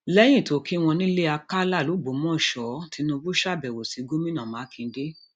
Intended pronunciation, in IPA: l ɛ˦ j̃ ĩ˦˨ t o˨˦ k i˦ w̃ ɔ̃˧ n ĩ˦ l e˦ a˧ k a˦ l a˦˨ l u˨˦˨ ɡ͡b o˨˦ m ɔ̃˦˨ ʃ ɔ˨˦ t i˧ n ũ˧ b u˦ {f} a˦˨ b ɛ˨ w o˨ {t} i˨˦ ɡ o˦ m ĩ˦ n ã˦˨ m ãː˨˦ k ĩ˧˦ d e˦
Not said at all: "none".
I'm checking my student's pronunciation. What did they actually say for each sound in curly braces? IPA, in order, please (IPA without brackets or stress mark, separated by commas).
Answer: ʃ, s